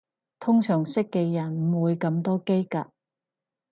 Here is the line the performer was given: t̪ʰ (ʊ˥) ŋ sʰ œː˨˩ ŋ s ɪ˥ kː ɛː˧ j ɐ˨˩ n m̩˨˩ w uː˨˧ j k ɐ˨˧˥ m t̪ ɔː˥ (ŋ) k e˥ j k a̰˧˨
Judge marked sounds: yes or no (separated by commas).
yes, no